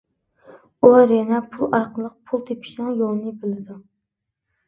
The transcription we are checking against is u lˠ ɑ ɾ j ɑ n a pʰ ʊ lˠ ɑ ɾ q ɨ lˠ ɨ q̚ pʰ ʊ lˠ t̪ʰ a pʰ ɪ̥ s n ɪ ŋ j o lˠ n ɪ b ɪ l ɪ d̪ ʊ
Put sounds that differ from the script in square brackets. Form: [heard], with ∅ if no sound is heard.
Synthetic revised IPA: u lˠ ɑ ɾ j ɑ n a pʰ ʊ lˠ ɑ ɾ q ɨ lˠ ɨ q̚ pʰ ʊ lˠ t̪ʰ [e] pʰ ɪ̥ [ʃ] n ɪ ŋ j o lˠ n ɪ b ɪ l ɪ d̪ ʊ